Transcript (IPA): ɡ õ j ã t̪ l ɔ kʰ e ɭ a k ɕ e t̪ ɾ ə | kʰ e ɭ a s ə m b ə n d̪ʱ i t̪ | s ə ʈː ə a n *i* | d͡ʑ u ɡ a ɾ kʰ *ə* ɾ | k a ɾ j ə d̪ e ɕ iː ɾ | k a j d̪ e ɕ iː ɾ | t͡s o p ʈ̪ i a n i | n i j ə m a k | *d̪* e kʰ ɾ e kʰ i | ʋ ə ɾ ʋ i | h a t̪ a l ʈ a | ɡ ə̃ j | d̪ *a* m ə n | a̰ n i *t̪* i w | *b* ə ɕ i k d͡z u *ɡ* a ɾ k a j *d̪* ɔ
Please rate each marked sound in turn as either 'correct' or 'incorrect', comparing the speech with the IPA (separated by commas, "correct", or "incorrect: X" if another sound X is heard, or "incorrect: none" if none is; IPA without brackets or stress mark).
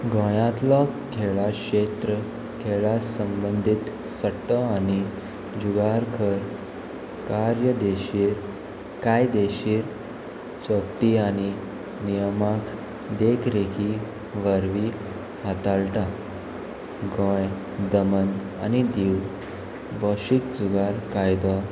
correct, correct, correct, incorrect: ə, incorrect: d̪, correct, correct, correct